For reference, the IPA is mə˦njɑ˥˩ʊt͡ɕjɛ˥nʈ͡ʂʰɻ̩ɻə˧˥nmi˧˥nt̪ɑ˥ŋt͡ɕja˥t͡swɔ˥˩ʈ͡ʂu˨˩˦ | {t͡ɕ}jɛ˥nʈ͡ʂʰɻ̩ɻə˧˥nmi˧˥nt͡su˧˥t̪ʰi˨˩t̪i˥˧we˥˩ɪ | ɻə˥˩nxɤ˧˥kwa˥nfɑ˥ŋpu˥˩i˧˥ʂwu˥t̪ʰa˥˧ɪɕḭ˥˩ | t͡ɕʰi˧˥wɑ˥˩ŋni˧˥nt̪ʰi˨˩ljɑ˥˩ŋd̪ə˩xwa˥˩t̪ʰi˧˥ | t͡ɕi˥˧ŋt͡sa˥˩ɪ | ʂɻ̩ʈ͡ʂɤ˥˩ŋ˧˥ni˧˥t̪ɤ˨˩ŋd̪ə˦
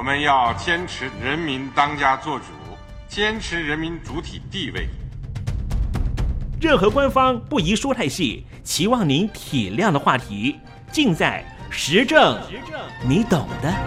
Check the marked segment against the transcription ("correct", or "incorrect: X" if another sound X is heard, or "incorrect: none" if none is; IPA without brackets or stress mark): correct